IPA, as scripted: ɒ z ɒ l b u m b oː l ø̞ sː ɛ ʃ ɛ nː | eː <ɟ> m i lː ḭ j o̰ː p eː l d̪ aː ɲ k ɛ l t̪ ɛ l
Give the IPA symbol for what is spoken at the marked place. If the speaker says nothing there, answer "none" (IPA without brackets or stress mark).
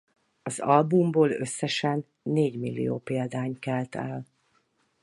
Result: ɟ